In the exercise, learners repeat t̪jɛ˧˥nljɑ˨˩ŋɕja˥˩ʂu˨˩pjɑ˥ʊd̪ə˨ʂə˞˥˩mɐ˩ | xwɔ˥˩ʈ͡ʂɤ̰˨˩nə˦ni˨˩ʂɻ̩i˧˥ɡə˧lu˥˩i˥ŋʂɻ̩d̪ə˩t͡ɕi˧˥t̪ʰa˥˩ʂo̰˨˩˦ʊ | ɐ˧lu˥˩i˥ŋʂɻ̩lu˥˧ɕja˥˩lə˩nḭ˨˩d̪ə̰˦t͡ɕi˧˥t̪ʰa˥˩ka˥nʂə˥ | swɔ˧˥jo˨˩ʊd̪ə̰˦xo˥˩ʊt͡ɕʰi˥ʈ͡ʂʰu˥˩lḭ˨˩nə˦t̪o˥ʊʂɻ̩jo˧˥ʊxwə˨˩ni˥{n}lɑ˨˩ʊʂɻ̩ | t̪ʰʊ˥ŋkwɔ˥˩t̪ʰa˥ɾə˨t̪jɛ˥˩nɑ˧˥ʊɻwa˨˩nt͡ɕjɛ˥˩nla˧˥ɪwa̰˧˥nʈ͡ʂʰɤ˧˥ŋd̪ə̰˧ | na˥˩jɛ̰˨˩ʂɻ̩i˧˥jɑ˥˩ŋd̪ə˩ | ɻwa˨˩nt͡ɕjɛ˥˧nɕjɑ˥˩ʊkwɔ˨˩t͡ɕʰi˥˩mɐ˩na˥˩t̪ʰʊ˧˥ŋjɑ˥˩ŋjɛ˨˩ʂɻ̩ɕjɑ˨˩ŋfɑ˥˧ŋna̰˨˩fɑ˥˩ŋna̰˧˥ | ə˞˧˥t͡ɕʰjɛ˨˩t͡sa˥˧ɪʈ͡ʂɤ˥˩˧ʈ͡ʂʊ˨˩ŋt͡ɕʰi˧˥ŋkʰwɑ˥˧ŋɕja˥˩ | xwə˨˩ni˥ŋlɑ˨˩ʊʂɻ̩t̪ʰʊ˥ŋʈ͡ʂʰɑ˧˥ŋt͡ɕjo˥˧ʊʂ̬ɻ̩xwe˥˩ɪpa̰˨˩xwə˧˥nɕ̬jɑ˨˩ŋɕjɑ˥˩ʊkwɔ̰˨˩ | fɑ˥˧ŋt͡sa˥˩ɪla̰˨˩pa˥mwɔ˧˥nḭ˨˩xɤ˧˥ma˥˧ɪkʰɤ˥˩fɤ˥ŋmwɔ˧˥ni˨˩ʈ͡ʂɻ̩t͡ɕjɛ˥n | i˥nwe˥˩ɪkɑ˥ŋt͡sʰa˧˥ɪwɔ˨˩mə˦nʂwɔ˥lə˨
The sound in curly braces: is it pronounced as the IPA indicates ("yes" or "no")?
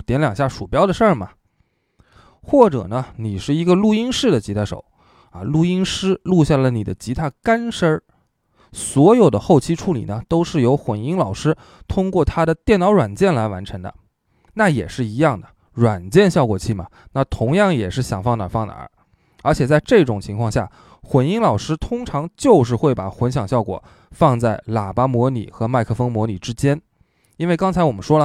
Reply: no